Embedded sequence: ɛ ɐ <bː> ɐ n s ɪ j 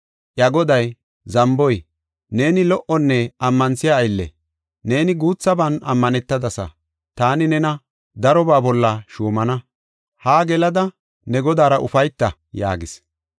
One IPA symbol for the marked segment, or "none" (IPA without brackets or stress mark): mː